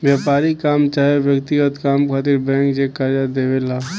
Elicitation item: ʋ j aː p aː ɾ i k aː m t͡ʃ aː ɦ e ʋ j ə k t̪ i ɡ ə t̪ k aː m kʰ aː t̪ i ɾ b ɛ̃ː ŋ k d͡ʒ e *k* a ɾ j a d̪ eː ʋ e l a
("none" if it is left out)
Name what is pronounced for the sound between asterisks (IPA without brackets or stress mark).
k